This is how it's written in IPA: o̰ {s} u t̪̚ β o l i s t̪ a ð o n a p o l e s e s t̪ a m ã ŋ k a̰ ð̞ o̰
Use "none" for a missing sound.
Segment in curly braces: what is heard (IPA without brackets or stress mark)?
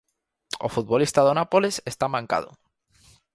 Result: f